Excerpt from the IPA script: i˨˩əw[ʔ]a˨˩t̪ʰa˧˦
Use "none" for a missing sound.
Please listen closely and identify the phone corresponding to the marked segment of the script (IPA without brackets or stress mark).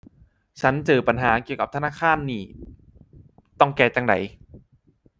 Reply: k